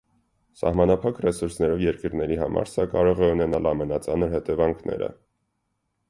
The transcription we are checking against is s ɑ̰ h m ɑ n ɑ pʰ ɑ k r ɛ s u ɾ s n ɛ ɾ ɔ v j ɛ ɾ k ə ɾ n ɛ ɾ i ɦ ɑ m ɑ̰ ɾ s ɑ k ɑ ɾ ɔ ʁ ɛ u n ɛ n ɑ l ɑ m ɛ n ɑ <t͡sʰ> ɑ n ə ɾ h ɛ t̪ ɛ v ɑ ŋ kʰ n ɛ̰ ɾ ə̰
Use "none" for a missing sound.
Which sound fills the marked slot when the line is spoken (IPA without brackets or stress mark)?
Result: t͡s